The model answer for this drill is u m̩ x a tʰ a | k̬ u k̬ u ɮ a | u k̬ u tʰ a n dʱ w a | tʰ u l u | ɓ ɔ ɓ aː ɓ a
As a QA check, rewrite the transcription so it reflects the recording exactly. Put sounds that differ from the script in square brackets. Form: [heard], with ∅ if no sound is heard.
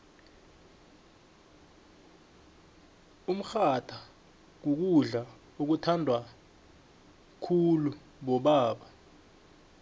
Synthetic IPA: u m̩ x a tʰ a | k̬ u k̬ u ɮ a | u k̬ u tʰ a n dʱ w a | [kʰ] u l u | ɓ ɔ ɓ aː ɓ a